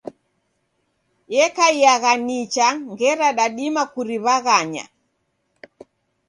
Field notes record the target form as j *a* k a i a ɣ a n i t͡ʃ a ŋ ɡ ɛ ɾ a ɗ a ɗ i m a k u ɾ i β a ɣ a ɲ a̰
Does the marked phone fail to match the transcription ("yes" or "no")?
yes